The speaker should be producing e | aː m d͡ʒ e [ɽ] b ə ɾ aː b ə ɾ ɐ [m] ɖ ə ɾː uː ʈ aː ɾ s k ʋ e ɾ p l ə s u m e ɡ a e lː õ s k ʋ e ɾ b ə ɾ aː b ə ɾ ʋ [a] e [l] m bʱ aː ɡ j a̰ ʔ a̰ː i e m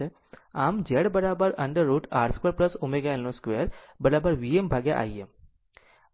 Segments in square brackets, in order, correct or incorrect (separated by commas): correct, incorrect, incorrect, incorrect